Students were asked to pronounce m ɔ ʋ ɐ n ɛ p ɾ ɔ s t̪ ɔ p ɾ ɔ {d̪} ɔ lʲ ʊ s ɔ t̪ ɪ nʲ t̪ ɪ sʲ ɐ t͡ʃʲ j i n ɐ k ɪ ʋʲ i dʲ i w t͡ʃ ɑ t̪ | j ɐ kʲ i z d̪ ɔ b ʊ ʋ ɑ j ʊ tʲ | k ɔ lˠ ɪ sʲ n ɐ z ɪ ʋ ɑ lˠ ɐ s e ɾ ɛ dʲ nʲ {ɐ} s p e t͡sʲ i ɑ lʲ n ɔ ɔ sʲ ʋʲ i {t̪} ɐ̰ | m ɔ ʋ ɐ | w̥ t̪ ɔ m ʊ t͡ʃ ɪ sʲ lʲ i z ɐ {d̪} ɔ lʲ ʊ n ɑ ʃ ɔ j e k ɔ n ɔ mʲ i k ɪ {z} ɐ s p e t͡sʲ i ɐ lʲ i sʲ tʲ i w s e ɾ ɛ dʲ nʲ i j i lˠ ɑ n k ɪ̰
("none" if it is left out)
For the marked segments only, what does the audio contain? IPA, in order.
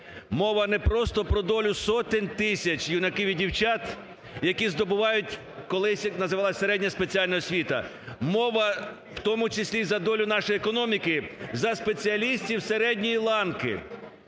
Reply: d̪, ɐ, t̪, d̪, z

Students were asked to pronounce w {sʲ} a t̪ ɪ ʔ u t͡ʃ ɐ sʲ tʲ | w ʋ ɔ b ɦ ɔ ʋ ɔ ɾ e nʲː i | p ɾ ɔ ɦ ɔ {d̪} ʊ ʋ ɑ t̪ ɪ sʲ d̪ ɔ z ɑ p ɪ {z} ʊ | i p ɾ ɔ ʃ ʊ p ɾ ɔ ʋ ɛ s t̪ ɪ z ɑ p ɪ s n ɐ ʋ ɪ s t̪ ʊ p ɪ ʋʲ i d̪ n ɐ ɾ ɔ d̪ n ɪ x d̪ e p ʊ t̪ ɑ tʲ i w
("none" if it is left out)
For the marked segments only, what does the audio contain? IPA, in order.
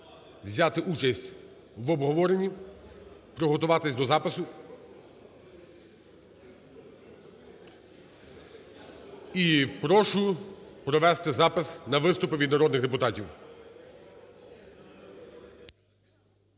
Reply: zʲ, t̪, s

